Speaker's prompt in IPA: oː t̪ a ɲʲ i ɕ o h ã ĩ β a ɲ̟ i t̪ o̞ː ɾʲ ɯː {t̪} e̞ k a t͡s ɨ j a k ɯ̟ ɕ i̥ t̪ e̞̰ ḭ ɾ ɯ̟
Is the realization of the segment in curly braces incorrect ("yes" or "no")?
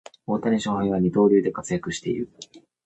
yes